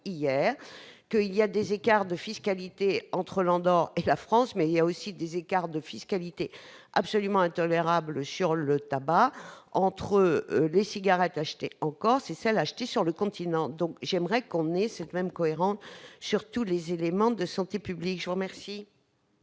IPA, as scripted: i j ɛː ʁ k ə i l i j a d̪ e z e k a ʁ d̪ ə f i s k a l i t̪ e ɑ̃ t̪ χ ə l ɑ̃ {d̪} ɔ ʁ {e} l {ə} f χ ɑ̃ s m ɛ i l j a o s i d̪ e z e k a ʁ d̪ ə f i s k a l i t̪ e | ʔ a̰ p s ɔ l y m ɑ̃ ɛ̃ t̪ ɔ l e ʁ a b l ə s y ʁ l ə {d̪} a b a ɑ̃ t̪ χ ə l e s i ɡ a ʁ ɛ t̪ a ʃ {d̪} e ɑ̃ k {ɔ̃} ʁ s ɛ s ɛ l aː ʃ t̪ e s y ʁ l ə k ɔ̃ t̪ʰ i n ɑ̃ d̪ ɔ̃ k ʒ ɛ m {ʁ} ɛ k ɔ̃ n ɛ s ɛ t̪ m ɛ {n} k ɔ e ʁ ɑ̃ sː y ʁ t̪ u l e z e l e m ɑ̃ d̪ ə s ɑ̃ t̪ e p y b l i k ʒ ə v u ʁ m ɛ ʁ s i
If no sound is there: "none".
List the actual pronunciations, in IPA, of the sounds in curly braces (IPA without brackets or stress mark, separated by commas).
d̪, e, a, t̪, t̪, ɔ, ʁ, m